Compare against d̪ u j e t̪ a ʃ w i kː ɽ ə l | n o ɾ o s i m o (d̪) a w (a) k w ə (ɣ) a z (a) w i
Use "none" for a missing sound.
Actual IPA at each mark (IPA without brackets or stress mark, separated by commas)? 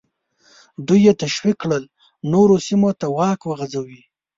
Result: t̪, ɑ, ɣ, a